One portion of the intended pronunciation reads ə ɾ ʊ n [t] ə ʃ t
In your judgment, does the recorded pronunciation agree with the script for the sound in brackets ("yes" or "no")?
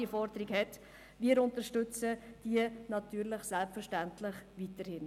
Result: yes